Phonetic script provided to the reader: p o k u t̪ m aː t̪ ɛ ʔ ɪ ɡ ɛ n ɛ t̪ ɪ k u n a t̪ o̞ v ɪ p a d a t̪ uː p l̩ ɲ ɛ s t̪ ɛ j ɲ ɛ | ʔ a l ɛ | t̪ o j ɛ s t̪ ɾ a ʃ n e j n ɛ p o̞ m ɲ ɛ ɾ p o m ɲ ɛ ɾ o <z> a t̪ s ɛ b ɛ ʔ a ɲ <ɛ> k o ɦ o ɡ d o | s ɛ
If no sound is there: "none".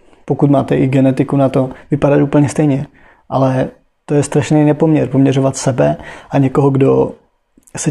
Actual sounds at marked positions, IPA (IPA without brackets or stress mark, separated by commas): v, ɛ